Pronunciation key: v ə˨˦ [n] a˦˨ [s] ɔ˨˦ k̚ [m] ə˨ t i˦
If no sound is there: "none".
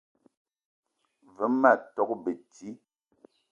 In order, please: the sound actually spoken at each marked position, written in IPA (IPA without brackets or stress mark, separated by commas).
m, t, b